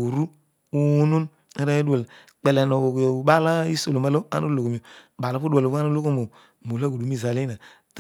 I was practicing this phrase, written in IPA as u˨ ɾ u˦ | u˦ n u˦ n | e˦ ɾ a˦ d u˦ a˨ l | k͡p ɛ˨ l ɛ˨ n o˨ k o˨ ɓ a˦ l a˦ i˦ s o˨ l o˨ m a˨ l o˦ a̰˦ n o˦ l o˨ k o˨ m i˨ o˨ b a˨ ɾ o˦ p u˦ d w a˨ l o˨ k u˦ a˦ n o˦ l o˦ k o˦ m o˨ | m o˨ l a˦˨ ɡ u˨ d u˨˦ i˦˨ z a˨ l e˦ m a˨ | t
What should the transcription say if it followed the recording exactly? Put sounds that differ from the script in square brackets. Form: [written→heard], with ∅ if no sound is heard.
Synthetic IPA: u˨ ɾ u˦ | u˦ n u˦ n | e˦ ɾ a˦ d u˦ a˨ l | k͡p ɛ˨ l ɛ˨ n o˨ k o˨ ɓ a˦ l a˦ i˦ s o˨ l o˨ m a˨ l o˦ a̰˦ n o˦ l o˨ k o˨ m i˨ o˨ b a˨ [ɾ→l] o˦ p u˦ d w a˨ l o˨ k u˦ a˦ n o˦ l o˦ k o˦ m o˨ | m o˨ l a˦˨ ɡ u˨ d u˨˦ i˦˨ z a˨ l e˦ [m→n] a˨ | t